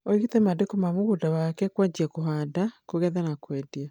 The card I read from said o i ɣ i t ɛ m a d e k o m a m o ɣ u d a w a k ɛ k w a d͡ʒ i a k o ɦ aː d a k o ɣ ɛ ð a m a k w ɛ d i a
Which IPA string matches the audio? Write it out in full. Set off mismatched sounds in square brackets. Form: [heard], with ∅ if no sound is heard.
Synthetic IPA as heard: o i ɣ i t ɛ m a d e k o m a m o ɣ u d a w a k ɛ k w a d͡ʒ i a k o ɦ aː d a k o ɣ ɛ ð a [n] a k w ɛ d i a